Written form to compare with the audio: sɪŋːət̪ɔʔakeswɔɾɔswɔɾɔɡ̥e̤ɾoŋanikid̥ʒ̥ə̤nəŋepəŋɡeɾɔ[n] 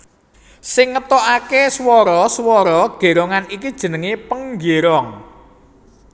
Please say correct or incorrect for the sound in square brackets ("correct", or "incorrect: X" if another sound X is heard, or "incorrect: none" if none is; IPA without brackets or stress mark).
incorrect: ŋ